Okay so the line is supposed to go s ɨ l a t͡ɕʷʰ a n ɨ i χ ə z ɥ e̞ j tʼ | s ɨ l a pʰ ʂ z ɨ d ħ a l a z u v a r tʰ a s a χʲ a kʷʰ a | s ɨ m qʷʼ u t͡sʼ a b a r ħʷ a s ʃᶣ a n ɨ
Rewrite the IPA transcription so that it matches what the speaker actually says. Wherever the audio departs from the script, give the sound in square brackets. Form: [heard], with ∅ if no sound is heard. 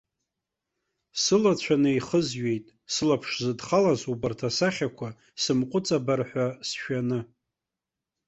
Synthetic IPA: s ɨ l a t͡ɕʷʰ a n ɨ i χ ə z ɥ e̞ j tʼ | s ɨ l a pʰ ʂ z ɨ d [χ] a l a z u [b] a r tʰ a s a χʲ a kʷʰ a | s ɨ m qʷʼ [ʊ] t͡sʼ a b a r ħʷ a s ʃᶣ a n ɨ